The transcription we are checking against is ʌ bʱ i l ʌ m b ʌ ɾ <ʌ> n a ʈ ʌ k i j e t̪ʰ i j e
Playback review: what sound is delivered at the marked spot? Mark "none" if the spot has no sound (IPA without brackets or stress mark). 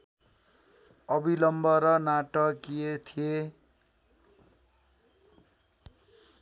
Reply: ʌ